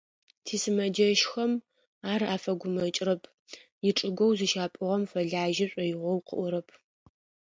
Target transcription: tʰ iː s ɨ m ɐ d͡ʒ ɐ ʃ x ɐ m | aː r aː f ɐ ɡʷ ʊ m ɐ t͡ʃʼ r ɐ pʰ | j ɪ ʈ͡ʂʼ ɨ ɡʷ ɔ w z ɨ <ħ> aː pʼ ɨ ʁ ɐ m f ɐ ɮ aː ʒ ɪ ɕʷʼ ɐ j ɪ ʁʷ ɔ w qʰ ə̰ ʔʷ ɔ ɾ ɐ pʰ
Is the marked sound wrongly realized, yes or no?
yes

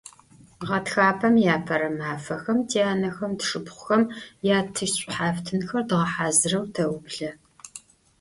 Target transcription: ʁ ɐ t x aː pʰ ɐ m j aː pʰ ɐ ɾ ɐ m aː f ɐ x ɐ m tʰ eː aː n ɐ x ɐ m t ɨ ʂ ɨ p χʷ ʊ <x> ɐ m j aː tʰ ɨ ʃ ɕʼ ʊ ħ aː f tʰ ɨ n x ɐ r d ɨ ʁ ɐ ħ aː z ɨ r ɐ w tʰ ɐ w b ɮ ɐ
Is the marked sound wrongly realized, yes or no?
no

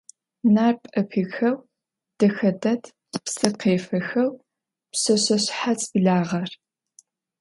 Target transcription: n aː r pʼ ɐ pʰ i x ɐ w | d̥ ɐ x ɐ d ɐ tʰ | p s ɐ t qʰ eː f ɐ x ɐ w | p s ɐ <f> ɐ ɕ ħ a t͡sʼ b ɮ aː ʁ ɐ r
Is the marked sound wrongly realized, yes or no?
yes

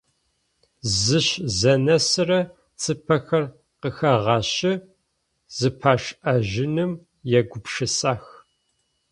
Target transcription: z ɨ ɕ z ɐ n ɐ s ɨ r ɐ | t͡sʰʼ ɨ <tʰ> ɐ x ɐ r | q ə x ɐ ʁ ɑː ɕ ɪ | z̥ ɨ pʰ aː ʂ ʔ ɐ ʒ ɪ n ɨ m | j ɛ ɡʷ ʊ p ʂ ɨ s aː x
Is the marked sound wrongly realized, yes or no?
yes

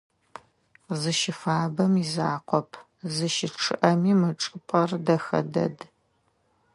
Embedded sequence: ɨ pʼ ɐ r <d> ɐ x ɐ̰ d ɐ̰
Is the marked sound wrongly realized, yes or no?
no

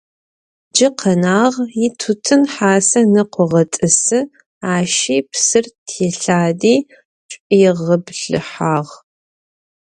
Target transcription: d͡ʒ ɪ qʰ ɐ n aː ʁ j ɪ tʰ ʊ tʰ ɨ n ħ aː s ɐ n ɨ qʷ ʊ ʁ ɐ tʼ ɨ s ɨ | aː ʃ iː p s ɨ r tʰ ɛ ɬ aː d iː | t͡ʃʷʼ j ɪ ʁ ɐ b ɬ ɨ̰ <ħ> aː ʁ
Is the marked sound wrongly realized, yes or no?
no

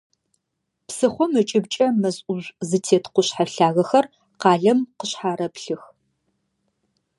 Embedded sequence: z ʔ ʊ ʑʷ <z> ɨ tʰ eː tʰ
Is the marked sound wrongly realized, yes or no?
no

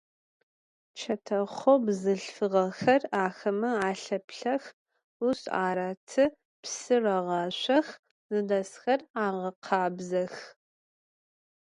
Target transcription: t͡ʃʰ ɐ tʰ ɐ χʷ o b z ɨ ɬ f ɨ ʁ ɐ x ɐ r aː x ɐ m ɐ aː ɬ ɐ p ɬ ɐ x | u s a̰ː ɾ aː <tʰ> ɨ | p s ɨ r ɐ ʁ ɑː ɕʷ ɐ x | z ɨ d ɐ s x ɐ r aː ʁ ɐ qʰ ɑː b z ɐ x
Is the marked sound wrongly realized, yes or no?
no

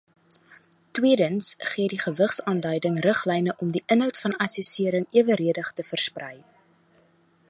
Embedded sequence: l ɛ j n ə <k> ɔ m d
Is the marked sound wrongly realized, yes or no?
yes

